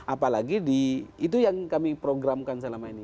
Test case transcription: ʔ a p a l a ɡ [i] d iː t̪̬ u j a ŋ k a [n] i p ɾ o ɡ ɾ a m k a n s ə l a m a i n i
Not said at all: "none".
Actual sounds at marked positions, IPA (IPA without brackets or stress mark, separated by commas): i, m